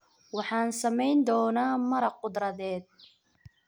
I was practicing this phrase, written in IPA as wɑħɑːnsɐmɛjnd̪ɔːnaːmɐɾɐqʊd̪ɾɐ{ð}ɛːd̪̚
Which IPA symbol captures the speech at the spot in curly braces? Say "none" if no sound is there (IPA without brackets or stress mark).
ð